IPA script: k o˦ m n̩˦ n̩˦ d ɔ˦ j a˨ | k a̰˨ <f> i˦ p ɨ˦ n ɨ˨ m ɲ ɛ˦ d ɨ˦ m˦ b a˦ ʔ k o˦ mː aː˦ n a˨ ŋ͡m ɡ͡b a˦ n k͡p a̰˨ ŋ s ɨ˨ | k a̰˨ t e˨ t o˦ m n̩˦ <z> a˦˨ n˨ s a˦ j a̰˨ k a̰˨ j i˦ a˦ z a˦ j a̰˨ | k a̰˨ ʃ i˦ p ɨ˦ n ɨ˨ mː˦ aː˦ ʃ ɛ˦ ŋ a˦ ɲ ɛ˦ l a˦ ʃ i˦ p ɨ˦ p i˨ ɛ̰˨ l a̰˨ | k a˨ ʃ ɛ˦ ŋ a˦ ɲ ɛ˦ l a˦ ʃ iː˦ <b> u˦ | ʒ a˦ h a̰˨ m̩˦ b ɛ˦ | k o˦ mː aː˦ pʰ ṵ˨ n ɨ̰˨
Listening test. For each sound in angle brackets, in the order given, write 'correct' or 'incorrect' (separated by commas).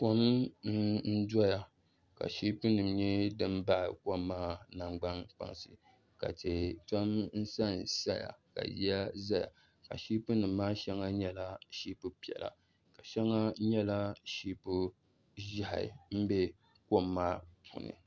incorrect, incorrect, incorrect